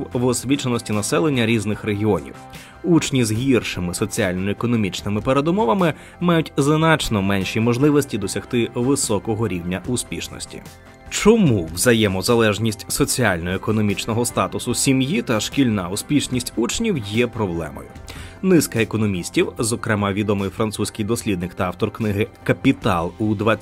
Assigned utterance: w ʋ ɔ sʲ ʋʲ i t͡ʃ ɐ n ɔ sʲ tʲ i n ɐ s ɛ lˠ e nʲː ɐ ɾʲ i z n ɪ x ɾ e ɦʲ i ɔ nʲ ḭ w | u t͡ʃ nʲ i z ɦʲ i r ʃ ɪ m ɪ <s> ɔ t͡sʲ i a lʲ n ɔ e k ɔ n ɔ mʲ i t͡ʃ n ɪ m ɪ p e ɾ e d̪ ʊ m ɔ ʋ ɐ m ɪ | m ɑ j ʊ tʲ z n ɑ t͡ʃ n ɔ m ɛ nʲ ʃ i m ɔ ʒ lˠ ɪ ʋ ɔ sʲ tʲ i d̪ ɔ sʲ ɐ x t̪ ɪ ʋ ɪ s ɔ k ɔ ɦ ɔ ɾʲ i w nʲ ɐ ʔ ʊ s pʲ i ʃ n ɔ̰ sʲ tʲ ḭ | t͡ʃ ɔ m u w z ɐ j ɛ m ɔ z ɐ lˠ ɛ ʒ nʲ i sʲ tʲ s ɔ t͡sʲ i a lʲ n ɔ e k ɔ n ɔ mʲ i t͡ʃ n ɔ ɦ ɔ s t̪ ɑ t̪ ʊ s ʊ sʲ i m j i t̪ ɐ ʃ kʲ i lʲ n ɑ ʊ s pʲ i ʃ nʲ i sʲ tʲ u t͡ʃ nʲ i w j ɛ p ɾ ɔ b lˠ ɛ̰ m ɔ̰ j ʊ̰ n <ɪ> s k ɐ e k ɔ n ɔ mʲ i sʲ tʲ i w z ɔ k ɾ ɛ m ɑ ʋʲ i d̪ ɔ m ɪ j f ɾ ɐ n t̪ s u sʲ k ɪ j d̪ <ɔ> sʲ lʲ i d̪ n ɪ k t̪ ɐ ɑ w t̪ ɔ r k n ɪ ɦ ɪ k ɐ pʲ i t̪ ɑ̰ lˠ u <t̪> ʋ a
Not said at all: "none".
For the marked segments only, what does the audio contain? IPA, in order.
s, ɪ, ɔ, d̪

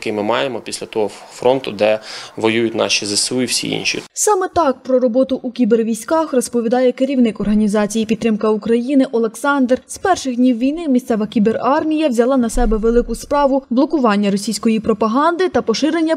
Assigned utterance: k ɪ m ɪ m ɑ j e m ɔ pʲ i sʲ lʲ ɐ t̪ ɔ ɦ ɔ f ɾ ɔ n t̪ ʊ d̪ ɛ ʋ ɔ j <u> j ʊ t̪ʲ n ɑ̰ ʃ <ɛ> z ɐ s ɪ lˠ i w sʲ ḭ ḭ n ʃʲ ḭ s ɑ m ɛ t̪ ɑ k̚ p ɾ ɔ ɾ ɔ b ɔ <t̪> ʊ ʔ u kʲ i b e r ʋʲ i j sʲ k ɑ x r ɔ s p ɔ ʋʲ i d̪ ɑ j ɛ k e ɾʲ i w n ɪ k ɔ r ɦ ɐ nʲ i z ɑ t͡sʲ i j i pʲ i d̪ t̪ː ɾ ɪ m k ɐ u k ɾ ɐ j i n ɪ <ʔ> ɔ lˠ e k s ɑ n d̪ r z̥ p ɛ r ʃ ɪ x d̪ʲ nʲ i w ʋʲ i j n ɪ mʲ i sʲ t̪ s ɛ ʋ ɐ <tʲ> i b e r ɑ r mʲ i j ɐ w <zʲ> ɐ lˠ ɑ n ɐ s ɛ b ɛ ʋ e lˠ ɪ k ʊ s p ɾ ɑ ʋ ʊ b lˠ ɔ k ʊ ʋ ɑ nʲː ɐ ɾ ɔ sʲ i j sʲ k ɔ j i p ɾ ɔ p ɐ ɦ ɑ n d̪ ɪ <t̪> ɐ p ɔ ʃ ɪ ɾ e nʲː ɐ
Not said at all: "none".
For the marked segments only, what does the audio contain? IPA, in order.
u, i, t̪, ʔ, kʲ, zʲ, t̪

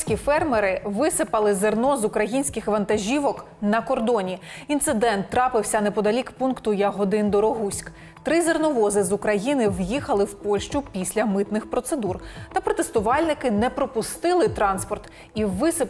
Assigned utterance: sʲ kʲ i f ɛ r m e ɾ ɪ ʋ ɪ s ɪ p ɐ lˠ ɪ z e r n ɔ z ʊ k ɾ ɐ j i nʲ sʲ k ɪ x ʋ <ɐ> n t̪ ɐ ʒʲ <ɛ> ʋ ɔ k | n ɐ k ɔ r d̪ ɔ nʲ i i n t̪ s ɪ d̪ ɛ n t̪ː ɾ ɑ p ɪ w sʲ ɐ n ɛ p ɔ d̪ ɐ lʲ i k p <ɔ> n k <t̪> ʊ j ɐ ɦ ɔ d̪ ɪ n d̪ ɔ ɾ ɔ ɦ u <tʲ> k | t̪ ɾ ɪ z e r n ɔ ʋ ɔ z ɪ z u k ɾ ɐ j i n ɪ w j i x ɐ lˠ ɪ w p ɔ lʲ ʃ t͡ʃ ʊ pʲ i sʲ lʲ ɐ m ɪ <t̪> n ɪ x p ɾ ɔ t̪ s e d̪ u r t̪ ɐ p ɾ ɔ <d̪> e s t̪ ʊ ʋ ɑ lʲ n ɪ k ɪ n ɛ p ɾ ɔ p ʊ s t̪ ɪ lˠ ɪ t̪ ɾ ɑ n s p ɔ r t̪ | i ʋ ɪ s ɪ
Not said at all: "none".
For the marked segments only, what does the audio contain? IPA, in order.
ɐ, i, u, t̪, sʲ, t̪, t̪

